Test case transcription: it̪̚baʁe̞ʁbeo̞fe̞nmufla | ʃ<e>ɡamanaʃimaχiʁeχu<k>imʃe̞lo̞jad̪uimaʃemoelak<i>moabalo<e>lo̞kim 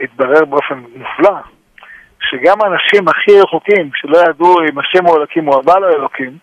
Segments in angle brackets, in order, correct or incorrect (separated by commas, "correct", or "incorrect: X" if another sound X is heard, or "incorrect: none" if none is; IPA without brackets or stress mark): correct, correct, correct, correct